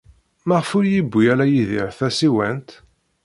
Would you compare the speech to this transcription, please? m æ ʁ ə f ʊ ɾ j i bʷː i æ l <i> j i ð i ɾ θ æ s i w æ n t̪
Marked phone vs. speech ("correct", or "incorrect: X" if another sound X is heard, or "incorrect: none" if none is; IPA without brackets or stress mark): incorrect: æ